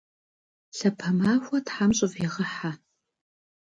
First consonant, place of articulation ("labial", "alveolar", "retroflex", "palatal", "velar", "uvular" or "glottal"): alveolar